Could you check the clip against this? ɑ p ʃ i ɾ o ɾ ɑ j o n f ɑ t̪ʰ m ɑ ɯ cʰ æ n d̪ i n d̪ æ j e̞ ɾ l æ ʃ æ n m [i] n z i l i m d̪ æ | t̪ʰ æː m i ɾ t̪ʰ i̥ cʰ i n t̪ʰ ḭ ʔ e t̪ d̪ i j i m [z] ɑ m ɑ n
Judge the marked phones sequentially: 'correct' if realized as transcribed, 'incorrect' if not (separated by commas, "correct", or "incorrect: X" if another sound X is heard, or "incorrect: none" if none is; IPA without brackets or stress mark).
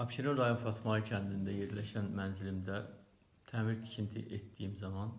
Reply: incorrect: æ, correct